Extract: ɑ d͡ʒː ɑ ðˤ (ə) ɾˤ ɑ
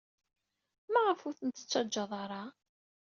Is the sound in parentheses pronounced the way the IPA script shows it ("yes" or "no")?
no